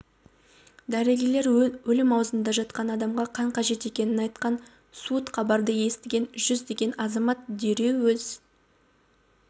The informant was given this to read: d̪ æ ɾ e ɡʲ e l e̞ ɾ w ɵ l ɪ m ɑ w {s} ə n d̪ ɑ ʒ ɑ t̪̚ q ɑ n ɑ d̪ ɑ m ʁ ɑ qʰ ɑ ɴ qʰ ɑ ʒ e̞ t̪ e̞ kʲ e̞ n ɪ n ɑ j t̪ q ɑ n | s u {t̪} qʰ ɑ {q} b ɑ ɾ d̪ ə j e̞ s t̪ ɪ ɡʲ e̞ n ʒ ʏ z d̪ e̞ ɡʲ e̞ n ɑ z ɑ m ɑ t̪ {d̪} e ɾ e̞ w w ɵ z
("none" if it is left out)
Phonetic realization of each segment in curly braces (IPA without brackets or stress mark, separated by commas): z, t̪, none, d̪